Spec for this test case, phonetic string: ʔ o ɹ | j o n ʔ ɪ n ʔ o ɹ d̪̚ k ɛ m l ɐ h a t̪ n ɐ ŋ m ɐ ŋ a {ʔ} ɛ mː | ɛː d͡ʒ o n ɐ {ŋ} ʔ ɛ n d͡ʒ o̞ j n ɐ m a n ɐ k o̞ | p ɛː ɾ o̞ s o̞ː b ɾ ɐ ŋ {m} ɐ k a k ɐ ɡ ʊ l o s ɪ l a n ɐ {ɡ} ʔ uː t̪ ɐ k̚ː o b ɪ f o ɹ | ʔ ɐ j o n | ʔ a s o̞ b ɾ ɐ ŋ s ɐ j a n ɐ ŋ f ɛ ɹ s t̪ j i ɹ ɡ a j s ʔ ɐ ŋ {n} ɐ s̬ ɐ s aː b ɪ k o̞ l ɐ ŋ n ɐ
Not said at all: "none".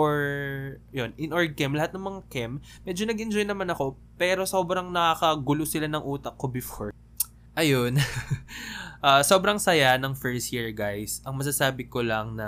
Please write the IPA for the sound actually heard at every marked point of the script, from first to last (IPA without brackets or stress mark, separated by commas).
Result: k, ɡ, n, ŋ, m